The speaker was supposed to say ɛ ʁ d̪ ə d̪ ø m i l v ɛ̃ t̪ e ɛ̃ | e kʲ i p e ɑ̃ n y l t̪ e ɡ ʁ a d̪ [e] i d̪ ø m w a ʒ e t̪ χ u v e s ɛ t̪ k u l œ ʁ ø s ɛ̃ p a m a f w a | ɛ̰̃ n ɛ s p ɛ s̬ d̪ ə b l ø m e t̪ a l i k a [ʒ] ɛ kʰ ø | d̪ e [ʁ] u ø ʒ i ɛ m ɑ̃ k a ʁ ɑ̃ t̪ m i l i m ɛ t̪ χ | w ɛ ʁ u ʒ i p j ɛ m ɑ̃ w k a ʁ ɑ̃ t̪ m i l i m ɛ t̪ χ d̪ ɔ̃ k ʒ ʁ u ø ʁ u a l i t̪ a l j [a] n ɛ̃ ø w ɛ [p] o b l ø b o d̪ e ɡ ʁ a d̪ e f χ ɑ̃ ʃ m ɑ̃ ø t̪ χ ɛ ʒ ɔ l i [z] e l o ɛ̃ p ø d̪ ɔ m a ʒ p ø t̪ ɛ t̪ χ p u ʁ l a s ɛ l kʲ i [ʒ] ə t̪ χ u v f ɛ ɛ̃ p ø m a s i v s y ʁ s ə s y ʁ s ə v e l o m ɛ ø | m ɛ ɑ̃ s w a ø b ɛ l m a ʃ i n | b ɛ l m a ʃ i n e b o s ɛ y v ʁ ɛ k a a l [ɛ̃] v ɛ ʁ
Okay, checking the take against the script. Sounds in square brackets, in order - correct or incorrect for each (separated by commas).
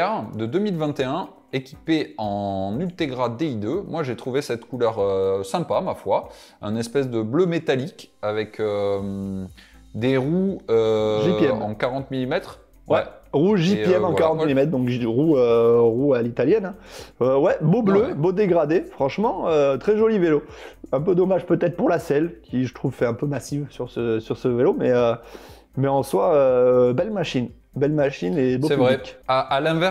correct, incorrect, correct, incorrect, incorrect, incorrect, correct, correct